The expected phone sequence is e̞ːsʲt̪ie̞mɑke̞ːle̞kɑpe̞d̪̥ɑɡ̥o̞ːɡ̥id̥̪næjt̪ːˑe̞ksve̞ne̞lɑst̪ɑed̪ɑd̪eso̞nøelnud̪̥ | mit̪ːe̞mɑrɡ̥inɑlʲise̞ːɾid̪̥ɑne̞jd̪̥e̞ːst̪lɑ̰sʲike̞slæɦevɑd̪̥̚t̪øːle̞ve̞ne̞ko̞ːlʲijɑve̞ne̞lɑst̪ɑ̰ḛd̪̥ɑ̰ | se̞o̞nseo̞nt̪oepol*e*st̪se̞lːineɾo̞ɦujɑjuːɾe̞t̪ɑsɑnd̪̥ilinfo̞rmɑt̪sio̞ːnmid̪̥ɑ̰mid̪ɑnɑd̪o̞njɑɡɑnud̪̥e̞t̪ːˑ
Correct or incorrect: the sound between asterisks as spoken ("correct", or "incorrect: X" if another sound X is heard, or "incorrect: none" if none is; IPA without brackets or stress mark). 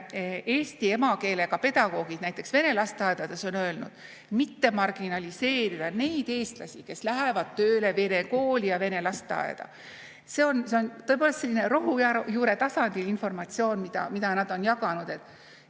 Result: correct